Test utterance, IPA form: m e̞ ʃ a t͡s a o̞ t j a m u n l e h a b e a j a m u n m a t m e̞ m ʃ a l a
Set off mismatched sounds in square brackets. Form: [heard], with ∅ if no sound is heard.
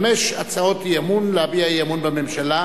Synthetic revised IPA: m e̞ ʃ a t͡s a o̞ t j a m u n l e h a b [i] a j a m u n [b] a [∅] m e̞ m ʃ a l a